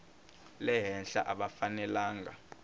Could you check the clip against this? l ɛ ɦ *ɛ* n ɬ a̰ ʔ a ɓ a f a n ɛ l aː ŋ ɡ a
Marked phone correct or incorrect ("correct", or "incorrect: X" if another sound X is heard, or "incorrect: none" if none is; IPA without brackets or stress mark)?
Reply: correct